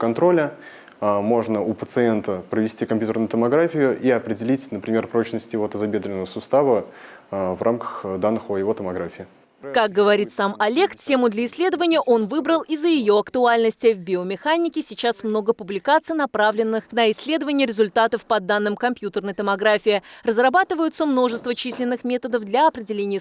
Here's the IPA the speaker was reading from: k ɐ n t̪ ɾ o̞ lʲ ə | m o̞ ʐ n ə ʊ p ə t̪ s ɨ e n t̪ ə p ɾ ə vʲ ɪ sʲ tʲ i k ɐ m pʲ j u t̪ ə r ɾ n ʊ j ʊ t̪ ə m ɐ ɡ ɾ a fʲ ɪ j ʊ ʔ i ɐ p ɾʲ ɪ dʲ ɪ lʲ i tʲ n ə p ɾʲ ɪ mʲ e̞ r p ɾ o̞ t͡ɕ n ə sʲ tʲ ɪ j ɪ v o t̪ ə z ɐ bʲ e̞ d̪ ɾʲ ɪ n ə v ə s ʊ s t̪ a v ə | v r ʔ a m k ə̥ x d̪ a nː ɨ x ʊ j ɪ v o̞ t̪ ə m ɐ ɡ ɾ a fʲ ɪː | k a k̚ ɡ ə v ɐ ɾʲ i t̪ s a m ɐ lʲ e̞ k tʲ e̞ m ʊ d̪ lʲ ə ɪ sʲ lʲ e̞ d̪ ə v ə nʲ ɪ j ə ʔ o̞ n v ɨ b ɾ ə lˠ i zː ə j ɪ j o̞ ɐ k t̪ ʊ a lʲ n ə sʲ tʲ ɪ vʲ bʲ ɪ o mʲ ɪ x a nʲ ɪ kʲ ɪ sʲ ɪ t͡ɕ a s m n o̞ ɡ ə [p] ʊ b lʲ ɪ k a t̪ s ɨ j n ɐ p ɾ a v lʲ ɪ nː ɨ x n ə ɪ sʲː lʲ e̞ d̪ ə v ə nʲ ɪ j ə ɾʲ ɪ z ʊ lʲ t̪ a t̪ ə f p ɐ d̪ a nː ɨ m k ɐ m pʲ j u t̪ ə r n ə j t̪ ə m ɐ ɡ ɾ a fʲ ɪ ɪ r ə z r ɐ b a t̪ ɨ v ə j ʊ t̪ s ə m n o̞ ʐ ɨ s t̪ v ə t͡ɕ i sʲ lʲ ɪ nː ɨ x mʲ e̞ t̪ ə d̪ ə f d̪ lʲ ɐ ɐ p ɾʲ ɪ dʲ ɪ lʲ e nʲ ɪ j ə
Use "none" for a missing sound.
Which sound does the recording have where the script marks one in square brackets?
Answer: p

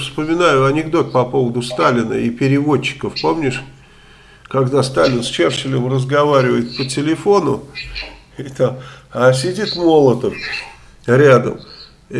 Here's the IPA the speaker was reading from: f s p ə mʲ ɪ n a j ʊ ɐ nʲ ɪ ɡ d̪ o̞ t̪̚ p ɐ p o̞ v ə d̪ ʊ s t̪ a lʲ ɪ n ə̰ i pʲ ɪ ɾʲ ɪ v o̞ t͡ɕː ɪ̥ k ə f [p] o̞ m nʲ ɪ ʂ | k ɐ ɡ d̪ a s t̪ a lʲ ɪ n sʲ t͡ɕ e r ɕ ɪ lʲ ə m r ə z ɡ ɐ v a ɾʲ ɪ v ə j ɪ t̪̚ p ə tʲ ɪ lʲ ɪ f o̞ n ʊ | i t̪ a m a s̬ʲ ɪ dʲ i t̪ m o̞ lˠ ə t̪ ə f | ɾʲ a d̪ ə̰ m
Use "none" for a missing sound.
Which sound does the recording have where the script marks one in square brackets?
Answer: p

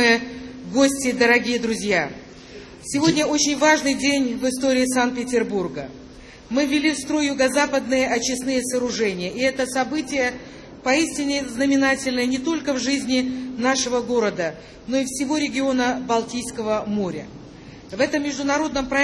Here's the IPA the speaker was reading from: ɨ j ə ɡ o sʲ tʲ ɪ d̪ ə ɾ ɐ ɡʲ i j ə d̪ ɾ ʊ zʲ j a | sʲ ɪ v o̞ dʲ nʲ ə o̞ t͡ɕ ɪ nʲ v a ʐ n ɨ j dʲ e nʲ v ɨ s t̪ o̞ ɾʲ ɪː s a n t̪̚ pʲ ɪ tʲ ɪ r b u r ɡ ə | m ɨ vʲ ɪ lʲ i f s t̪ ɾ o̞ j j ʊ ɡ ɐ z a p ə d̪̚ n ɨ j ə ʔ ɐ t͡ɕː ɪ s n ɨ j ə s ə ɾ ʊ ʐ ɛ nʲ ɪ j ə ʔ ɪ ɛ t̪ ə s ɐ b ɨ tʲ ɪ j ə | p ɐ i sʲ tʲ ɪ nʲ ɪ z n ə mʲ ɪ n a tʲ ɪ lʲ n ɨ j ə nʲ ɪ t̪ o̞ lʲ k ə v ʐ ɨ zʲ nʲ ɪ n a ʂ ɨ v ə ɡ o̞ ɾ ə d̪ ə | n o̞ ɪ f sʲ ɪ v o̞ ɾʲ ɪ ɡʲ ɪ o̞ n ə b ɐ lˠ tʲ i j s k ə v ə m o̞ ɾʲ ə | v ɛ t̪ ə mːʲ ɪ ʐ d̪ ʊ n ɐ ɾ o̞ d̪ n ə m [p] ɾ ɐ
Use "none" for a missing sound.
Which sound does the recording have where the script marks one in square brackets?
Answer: p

